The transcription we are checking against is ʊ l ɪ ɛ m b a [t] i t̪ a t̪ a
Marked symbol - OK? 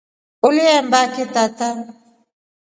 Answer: no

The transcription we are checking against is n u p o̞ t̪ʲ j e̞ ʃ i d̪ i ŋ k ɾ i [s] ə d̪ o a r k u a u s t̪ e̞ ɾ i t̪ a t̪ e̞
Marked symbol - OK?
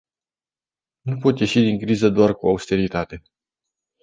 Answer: no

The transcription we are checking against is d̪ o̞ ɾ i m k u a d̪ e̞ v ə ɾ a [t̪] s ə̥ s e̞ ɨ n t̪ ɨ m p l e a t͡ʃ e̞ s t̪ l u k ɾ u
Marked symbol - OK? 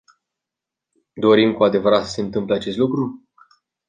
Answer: yes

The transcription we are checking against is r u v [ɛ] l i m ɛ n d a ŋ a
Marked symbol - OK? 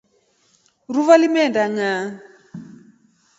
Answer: no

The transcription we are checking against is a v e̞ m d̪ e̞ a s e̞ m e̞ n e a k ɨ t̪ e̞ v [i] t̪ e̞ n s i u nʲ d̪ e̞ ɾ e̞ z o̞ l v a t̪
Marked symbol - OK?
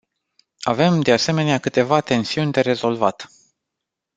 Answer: no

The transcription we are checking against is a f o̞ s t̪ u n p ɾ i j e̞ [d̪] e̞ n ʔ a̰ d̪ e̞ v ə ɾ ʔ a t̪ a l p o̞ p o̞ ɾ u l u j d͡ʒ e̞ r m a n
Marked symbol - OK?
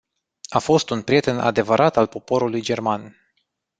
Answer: no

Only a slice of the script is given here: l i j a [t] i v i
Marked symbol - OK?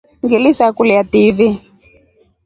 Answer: yes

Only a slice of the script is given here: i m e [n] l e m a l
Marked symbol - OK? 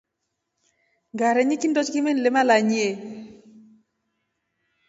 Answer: yes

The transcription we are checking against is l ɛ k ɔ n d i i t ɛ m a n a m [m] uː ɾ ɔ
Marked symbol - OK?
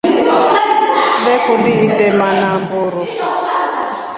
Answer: no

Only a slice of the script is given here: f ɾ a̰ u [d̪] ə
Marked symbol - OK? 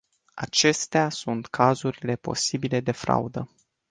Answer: yes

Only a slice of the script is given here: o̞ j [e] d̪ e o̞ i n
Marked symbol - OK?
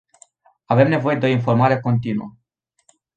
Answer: yes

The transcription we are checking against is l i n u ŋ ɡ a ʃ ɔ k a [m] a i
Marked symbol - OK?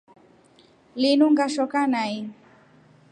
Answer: no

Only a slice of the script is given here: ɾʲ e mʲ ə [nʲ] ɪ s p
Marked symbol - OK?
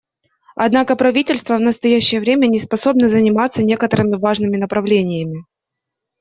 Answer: yes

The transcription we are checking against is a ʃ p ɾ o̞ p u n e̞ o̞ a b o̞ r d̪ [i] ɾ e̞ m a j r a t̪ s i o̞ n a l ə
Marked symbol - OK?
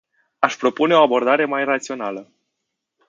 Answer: no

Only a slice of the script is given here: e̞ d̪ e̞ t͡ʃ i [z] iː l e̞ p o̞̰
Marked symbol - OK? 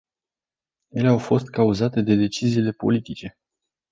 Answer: yes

